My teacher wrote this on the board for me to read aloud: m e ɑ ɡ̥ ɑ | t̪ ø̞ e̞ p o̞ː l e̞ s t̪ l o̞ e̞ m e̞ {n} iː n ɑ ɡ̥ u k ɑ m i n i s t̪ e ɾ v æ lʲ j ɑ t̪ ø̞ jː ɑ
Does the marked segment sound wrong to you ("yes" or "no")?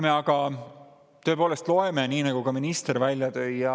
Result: no